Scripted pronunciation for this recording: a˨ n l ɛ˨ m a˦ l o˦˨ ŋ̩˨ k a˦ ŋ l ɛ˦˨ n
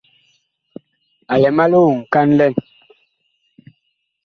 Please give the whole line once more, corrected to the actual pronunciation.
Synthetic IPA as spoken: a˨ l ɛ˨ m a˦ l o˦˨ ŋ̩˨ k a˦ n l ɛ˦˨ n

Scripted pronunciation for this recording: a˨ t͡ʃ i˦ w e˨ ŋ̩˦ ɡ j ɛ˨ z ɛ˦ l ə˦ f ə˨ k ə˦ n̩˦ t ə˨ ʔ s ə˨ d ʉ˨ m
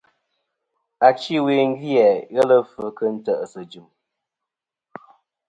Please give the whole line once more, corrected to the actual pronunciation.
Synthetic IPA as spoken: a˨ t͡ʃ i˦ w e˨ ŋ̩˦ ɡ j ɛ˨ ɣ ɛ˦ l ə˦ f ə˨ k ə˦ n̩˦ t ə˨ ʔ s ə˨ d͡ʒ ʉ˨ m

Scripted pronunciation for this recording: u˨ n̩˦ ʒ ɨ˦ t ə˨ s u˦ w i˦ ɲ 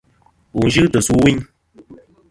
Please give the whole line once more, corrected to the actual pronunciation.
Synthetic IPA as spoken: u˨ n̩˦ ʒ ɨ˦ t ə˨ s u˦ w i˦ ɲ

